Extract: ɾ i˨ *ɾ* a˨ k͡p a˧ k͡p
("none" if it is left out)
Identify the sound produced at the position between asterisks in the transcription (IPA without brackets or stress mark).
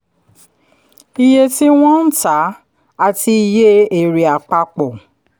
none